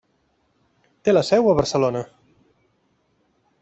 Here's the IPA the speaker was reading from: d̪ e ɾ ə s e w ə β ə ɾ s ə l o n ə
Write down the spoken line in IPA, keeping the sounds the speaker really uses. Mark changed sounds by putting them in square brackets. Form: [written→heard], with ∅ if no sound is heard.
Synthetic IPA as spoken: [d̪→t̪] e [ɾ→l] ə s [e→ɛ] w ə β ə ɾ s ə l o n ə